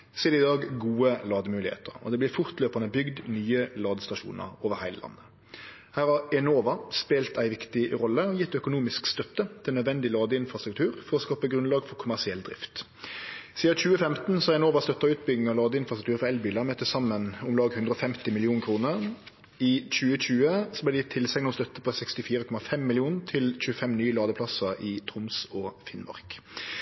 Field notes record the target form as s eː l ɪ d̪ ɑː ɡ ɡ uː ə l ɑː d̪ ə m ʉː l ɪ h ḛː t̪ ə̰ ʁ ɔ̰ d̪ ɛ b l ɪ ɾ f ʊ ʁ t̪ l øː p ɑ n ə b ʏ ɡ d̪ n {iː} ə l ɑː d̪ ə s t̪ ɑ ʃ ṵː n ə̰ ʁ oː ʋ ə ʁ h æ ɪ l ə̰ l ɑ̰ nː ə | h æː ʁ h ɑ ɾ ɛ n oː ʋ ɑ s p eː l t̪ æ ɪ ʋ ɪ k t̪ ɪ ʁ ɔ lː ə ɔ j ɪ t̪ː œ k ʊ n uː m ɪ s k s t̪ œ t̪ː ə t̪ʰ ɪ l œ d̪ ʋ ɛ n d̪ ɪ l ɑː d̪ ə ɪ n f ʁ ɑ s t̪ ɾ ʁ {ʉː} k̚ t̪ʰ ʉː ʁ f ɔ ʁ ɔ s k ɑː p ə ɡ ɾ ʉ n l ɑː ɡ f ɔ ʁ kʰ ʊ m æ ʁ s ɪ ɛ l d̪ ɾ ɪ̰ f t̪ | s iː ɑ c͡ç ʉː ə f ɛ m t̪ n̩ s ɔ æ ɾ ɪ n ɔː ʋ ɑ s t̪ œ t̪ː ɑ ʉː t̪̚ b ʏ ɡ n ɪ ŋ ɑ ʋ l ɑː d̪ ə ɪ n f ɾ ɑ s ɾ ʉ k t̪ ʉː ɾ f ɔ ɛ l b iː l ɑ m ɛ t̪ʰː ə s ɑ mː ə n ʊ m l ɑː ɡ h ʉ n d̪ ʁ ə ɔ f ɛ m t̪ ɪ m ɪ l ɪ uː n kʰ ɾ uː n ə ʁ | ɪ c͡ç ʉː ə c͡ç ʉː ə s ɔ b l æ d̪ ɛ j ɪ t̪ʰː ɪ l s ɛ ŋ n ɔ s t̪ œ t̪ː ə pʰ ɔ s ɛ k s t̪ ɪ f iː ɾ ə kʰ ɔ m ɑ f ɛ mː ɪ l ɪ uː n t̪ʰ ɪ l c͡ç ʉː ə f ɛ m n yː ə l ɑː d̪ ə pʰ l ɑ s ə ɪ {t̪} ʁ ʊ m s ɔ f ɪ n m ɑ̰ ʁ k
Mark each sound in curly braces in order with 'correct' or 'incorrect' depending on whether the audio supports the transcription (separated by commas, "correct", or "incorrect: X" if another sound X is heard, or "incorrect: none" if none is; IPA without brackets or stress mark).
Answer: incorrect: yː, incorrect: ʉ, incorrect: t̪ʰ